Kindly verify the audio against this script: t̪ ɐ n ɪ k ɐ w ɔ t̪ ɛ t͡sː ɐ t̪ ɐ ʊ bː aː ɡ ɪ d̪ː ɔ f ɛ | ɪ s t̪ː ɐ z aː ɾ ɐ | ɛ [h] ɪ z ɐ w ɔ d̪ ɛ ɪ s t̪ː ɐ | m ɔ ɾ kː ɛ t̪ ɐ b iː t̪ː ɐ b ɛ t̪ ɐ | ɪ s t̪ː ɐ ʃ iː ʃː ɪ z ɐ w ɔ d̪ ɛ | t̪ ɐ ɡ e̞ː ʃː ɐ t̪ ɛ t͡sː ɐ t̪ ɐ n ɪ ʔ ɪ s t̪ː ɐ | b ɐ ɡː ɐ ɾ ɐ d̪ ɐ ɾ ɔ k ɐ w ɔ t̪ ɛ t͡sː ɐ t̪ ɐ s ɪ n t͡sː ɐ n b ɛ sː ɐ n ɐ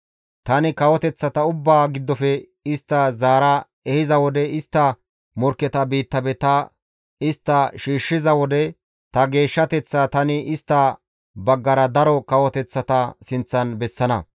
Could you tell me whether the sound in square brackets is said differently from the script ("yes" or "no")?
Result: no